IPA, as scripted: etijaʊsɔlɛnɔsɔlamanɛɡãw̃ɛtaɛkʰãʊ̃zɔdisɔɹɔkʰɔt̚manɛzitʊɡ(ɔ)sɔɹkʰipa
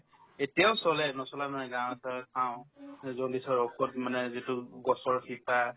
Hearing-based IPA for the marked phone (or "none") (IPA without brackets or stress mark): ɔ